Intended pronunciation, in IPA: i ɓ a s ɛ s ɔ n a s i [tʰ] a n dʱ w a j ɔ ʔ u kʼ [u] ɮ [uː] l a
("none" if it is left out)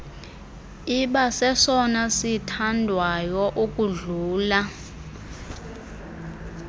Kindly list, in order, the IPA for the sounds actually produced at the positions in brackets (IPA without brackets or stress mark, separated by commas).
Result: tʰ, u, uː